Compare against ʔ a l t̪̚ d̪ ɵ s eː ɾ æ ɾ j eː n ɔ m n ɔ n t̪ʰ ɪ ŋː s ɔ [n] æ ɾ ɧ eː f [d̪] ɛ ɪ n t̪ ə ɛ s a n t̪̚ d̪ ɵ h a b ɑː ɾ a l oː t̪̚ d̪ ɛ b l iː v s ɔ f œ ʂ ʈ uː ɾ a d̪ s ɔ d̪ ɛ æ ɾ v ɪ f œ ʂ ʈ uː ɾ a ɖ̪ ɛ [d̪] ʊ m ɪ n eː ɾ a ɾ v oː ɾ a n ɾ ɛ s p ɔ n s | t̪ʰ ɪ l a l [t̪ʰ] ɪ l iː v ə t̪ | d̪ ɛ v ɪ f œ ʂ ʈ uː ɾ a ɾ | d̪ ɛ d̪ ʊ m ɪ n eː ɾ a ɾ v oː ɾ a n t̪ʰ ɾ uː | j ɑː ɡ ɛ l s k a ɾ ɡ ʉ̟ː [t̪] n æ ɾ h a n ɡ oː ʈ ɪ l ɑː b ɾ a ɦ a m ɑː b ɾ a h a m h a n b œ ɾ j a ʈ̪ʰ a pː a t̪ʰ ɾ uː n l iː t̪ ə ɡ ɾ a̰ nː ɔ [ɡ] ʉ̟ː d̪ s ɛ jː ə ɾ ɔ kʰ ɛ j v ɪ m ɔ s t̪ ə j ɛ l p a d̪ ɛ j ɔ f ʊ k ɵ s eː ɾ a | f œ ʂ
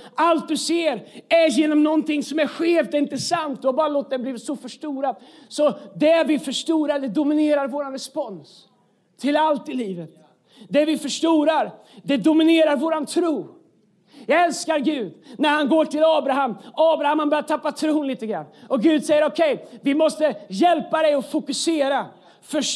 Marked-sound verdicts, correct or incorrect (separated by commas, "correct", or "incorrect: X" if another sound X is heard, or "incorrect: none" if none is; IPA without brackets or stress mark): incorrect: m, correct, correct, incorrect: t̪, incorrect: d̪, correct